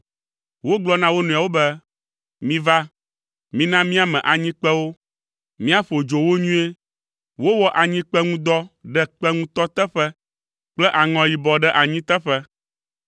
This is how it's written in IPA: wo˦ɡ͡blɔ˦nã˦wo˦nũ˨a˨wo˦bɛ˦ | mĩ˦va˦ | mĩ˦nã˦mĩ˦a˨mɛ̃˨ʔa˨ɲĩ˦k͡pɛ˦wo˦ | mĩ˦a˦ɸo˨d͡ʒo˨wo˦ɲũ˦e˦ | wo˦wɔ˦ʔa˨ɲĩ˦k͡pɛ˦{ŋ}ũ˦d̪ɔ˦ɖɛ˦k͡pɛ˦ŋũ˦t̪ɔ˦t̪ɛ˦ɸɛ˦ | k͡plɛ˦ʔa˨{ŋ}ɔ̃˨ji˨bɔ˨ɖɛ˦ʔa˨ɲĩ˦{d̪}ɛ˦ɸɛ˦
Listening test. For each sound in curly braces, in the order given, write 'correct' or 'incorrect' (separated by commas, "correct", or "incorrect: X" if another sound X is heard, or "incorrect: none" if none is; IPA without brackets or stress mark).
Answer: correct, correct, incorrect: t̪